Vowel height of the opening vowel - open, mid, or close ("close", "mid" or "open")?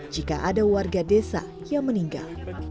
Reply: close